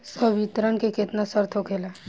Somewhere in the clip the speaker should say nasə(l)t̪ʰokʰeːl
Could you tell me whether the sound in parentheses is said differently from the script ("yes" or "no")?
yes